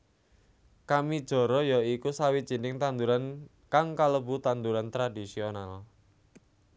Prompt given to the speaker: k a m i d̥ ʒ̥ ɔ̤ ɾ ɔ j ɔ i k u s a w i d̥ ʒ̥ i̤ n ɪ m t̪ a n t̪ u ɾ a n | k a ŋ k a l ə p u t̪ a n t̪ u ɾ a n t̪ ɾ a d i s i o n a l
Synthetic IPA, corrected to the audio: k a m i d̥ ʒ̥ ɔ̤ ɾ ɔ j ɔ i k u s a w i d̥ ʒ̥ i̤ n ɪ ŋ t̪ a n d̪ u ɾ a n | k a ŋ k a l ə b u t̪ a n d̪ u ɾ a n t̪ ɾ a d i s i o n a l